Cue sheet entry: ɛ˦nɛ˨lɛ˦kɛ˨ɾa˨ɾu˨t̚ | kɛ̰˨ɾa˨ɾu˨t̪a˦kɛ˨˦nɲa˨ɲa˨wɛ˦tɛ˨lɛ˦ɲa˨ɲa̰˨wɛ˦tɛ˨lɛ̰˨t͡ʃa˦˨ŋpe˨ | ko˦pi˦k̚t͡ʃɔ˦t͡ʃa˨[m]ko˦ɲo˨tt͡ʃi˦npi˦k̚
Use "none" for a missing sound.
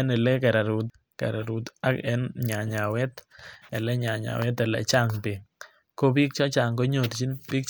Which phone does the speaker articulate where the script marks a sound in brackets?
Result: ŋ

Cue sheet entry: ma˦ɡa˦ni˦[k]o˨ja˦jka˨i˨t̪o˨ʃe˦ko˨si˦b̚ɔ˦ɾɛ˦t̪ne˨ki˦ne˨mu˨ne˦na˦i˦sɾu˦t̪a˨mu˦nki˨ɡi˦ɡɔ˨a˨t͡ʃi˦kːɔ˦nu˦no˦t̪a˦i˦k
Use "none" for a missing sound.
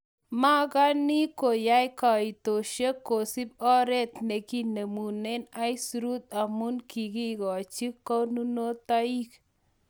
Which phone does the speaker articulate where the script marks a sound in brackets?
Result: k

